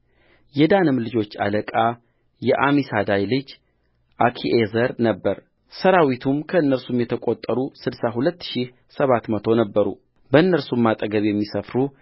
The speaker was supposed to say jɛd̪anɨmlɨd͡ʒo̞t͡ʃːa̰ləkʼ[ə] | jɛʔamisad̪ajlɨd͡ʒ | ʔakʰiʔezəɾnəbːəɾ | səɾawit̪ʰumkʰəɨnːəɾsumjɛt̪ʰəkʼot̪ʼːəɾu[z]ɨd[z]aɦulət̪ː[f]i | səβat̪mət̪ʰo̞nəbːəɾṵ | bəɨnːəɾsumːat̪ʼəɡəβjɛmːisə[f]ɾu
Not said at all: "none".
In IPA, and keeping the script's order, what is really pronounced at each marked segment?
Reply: a, s, s, ʃ, f

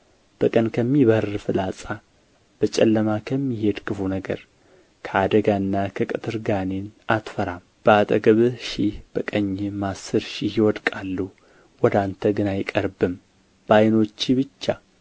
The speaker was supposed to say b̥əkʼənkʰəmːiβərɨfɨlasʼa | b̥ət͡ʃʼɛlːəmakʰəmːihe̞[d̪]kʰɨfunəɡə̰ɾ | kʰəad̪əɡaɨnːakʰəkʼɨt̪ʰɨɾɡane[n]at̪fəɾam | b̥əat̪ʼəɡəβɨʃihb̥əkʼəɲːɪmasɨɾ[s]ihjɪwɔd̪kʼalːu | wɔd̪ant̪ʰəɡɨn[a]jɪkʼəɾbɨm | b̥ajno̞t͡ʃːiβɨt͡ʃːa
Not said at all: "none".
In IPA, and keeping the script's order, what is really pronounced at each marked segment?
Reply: d̪, n, ʃ, a

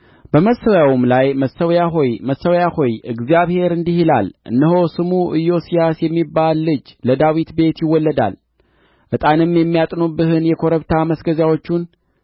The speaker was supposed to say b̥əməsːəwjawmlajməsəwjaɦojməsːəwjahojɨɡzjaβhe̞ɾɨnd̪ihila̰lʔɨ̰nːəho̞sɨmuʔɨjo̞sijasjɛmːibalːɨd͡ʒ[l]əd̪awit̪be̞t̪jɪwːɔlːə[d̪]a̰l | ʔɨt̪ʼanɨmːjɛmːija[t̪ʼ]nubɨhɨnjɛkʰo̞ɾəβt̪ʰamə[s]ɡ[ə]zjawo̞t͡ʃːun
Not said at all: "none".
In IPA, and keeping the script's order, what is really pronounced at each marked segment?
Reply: l, d̪, t̪ʼ, s, ə

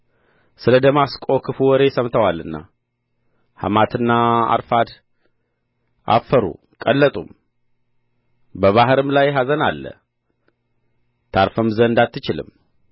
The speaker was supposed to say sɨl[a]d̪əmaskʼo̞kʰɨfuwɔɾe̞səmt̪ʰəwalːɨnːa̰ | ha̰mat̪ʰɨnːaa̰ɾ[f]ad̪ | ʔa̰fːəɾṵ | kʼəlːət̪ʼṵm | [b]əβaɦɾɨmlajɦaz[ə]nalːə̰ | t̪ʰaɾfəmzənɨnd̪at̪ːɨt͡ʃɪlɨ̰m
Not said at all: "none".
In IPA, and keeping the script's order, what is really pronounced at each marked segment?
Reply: ə, f, b, ə

